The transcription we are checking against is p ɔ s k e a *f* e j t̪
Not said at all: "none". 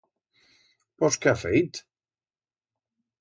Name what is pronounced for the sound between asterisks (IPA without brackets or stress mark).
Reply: f